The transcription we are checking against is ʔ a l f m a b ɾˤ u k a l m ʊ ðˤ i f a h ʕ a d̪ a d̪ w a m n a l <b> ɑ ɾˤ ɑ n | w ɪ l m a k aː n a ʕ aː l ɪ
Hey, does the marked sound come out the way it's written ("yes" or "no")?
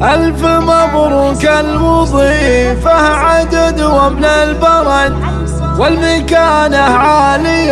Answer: yes